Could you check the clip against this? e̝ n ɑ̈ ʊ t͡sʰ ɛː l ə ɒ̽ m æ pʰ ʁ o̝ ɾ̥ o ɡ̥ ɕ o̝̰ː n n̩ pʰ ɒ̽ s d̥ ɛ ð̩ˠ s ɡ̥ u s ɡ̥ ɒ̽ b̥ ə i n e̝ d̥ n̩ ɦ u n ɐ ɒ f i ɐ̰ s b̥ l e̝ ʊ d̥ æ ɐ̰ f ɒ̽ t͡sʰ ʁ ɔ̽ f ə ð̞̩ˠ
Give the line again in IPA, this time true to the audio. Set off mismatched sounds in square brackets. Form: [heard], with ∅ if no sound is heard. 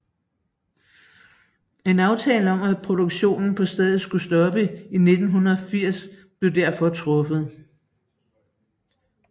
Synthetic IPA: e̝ n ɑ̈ ʊ t͡sʰ ɛː l ə ɒ̽ m æ pʰ ʁ o̝ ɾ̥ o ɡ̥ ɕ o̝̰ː n n̩ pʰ ɒ̽ s d̥ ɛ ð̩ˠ s ɡ̥ u s [d̥] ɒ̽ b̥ ə i n e̝ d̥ n̩ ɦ u n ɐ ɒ f i ɐ̰ s b̥ l e̝ ʊ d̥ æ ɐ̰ f ɒ̽ t͡sʰ ʁ ɔ̽ f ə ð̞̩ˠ